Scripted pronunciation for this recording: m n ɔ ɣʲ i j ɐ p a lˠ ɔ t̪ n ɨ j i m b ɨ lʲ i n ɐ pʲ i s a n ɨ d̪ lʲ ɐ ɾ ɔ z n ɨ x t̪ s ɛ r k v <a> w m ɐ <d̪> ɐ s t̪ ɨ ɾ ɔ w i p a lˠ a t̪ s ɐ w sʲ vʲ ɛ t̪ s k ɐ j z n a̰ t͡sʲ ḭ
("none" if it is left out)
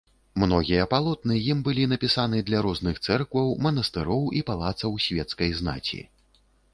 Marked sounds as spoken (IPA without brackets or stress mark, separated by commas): ɐ, n̪